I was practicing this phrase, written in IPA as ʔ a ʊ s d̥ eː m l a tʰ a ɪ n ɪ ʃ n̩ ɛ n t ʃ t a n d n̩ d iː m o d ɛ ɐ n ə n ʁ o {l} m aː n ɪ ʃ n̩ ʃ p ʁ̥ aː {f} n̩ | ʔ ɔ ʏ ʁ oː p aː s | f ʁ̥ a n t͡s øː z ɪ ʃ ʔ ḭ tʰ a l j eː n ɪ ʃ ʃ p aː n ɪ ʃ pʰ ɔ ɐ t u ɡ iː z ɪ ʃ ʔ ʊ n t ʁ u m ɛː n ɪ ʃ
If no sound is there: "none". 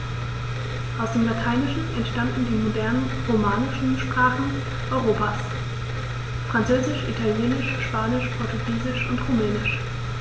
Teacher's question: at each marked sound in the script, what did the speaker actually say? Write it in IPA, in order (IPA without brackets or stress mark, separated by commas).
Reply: none, χ